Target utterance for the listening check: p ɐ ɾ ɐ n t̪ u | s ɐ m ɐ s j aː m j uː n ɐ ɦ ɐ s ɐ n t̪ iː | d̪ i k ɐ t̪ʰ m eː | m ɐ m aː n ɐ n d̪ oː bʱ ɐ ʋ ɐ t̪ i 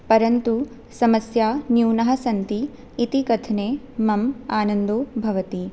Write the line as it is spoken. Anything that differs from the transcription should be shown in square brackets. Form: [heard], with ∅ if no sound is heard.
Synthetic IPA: p ɐ ɾ ɐ n t̪ u | s ɐ m ɐ s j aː [n] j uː n ɐ ɦ ɐ s ɐ n t̪ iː | [t̪] i k ɐ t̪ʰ [n] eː | m ɐ m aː n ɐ n d̪ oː bʱ ɐ ʋ ɐ t̪ i